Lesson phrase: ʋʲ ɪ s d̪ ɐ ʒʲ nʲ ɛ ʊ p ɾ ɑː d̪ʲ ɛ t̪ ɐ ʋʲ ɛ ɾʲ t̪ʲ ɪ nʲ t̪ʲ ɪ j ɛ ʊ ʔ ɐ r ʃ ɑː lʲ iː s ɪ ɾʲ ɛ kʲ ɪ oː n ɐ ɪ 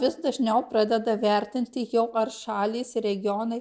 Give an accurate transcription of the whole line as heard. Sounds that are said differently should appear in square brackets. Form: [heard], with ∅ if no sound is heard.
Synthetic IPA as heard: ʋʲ ɪ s d̪ ɐ ʒʲ nʲ ɛ ʊ p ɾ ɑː d̪ʲ ɛ [d̪] ɐ ʋʲ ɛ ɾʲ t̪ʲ ɪ nʲ t̪ʲ ɪ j ɛ ʊ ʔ ɐ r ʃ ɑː lʲ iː s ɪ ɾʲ ɛ [ɡʲ] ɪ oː n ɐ ɪ

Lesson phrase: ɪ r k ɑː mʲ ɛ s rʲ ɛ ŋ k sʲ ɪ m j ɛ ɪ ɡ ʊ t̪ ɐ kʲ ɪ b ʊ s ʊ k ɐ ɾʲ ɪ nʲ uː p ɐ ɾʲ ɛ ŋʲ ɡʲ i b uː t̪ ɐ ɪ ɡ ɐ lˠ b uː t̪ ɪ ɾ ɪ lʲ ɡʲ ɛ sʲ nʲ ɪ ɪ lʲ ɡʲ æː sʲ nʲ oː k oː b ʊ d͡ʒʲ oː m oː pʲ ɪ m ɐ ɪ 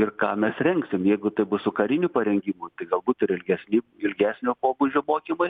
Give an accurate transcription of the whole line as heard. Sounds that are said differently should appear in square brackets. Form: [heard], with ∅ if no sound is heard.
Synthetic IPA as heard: ɪ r k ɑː mʲ ɛ s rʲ ɛ ŋ k sʲ ɪ m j ɛ ɪ ɡ ʊ t̪ ɐ [∅] ɪ b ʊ s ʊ k ɐ ɾʲ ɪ nʲ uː p ɐ ɾʲ ɛ ŋʲ ɡʲ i [m] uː t̪ ɐ ɪ ɡ ɐ lˠ b uː t̪ ɪ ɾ ɪ lʲ ɡʲ ɛ sʲ nʲ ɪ ɪ lʲ ɡʲ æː sʲ nʲ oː [p] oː b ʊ d͡ʒʲ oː m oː [kʲ] ɪ m ɐ ɪ

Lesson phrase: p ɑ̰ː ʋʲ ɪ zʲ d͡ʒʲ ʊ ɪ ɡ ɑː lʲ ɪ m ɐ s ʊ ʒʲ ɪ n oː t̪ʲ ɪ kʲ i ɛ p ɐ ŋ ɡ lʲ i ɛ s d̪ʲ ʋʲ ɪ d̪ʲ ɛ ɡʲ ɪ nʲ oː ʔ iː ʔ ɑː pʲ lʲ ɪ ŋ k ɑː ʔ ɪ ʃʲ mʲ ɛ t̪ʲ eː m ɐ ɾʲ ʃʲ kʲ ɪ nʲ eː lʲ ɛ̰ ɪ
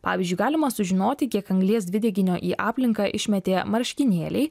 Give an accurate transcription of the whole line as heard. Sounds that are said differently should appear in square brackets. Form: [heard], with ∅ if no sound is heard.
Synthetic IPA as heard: p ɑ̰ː ʋʲ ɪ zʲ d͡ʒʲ ʊ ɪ ɡ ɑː lʲ ɪ m ɐ s ʊ ʒʲ ɪ n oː t̪ʲ ɪ kʲ i ɛ [k] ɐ ŋ ɡ lʲ i ɛ s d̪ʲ ʋʲ ɪ d̪ʲ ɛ ɡʲ ɪ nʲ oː ʔ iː ʔ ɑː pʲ lʲ ɪ ŋ k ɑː ʔ ɪ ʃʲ mʲ ɛ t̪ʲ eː m ɐ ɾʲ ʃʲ kʲ ɪ nʲ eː lʲ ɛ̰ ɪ

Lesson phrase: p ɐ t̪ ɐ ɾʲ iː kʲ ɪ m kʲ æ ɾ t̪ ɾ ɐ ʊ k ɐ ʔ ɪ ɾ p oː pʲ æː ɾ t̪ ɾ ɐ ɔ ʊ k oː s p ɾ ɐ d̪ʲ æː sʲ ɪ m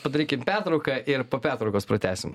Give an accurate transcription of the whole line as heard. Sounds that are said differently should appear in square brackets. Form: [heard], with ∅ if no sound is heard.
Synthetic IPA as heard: p ɐ [d̪] ɐ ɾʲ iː kʲ ɪ m [pʲ] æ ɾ t̪ ɾ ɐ ʊ k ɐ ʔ ɪ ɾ p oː pʲ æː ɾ t̪ ɾ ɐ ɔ ʊ k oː s p ɾ ɐ [t̪ʲ] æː sʲ ɪ m

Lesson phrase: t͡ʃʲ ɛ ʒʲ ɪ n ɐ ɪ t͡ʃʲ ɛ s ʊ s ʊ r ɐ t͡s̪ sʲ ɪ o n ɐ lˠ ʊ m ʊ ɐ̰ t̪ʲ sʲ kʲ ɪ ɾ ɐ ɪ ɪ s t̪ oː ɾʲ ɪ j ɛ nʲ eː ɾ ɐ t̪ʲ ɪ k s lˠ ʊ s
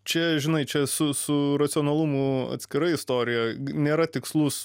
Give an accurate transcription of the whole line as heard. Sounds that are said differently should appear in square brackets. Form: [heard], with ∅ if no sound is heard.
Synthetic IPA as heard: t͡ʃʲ ɛ ʒʲ ɪ n ɐ ɪ t͡ʃʲ ɛ s ʊ s ʊ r ɐ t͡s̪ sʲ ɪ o n ɐ lˠ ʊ m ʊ ɐ̰ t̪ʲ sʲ kʲ ɪ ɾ ɐ ɪ ɪ s t̪ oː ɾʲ ɪ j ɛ nʲ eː ɾ ɐ t̪ʲ ɪ k s lˠ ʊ s

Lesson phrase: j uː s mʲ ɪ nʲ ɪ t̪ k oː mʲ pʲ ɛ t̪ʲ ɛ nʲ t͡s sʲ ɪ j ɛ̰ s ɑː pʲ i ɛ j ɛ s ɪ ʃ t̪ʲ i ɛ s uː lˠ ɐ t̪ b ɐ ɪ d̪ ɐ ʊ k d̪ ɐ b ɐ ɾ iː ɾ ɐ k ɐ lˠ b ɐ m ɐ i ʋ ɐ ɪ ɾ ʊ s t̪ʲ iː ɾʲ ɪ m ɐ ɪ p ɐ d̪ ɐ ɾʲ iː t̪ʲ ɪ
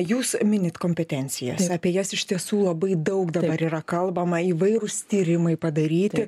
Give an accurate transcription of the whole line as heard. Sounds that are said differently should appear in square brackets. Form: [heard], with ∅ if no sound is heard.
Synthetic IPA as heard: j uː s mʲ ɪ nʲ ɪ t̪ k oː mʲ pʲ ɛ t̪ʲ ɛ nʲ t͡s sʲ ɪ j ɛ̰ s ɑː pʲ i ɛ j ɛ s ɪ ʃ t̪ʲ i ɛ s uː lˠ ɐ [∅] b ɐ ɪ d̪ ɐ ʊ k d̪ ɐ b ɐ ɾ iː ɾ ɐ k ɐ lˠ b ɐ m ɐ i ʋ ɐ ɪ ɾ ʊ s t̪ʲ iː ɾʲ ɪ m ɐ ɪ p ɐ d̪ ɐ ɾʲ iː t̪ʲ ɪ

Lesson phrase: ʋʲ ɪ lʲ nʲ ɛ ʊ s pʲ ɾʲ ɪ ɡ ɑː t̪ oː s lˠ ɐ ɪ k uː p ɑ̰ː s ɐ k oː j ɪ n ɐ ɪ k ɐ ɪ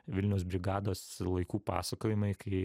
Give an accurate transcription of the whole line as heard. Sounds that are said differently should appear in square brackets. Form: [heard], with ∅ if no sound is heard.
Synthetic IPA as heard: ʋʲ ɪ lʲ nʲ ɛ ʊ s [bʲ] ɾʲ ɪ ɡ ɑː [d̪] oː s lˠ ɐ ɪ k uː p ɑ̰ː s ɐ k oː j ɪ [m] ɐ ɪ k ɐ ɪ

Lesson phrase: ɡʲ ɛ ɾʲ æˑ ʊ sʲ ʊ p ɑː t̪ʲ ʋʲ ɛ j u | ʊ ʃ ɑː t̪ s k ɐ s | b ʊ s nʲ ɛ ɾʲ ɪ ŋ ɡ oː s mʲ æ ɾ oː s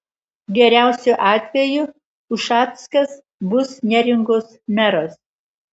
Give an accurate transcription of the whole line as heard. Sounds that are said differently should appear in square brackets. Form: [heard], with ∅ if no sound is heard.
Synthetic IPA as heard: ɡʲ ɛ ɾʲ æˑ ʊ sʲ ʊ [ʔ] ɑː t̪ʲ ʋʲ ɛ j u | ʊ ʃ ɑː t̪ s k ɐ s | b ʊ s nʲ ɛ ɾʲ ɪ ŋ ɡ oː s mʲ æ ɾ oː s

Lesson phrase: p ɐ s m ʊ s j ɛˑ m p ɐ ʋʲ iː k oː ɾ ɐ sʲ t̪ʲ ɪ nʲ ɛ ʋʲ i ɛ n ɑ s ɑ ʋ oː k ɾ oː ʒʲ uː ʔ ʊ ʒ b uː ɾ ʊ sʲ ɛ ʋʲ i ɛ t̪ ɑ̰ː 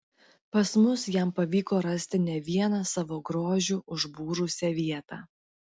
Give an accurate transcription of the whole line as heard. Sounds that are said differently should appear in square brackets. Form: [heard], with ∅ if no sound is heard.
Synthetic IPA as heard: p ɐ s m ʊ s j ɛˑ m p ɐ ʋʲ iː k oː ɾ ɐ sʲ t̪ʲ ɪ nʲ ɛ ʋʲ i ɛ n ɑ s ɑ ʋ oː [ɡ] ɾ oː ʒʲ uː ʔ ʊ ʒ b uː ɾ ʊ sʲ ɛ ʋʲ i ɛ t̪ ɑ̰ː

